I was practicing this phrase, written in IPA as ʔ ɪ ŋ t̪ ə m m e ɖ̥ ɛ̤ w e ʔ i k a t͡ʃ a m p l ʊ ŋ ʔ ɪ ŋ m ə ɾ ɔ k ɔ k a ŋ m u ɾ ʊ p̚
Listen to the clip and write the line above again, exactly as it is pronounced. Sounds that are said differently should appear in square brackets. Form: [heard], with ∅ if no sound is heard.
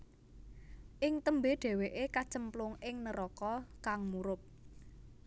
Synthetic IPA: ʔ ɪ ŋ t̪ ə m [b] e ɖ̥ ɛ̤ w e ʔ [e] k a t͡ʃ [ə] m p l ʊ ŋ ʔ ɪ ŋ [n] ə ɾ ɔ k ɔ k a ŋ m u ɾ ʊ p̚